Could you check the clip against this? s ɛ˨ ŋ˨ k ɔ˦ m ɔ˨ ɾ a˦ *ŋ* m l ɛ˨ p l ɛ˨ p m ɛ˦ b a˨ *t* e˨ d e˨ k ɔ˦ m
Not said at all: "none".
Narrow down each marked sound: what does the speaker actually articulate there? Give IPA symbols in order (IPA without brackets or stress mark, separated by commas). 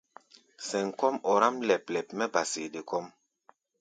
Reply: none, s